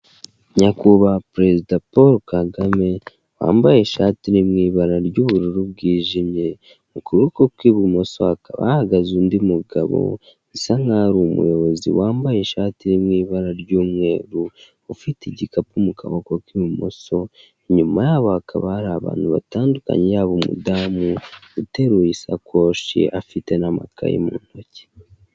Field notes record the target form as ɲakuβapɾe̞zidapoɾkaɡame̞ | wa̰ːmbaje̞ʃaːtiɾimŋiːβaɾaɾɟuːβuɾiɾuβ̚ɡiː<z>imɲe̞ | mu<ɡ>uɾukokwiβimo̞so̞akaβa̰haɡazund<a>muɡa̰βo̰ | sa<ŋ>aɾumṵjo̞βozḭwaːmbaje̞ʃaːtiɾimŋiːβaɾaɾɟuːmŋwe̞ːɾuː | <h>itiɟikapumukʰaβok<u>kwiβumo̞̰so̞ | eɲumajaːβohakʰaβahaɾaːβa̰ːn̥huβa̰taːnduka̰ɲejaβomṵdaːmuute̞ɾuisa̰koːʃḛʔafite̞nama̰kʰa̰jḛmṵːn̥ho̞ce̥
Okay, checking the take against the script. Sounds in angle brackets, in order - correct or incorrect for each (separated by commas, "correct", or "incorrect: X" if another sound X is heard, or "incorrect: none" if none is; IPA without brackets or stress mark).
incorrect: ʒ, incorrect: k, incorrect: i, correct, incorrect: f, incorrect: o